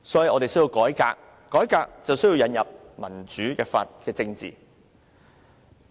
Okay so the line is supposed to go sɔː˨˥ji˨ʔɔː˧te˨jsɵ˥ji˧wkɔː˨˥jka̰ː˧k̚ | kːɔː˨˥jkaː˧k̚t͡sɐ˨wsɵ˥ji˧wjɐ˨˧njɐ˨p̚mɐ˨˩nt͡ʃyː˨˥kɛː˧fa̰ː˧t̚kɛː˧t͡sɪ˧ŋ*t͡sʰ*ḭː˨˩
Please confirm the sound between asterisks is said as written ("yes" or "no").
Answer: no